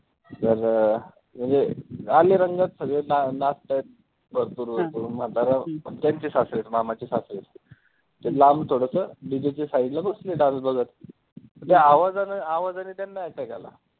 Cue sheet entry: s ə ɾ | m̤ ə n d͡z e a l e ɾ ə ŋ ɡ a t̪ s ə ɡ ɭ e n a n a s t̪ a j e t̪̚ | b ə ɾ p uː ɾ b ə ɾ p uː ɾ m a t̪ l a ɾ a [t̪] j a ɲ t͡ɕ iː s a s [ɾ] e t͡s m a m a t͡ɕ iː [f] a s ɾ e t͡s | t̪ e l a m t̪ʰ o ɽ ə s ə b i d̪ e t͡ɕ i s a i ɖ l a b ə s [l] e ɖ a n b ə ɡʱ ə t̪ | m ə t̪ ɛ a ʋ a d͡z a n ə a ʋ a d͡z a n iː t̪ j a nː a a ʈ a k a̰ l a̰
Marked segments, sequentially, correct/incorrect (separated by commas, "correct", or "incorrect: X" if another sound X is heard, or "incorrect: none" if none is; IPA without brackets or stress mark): correct, correct, incorrect: s, correct